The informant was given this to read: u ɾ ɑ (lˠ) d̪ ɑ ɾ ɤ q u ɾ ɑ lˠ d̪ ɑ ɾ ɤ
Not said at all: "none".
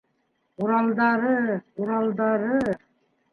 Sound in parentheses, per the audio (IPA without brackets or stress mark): lˠ